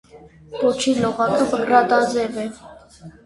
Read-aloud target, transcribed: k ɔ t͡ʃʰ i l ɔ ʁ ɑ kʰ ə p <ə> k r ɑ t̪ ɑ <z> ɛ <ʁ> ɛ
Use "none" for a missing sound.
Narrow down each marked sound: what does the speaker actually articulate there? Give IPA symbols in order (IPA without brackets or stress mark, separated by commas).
ə, z, v